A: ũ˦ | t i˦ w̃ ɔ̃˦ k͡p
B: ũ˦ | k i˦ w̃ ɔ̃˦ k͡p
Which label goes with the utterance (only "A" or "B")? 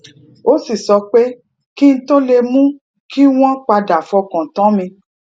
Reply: B